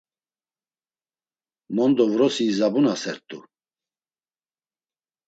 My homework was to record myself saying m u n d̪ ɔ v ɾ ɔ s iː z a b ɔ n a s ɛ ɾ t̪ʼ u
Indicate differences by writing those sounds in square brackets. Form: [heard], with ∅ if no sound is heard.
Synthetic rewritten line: m [ɔ] n d̪ ɔ v ɾ ɔ s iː z a b [u] n a s ɛ ɾ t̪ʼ u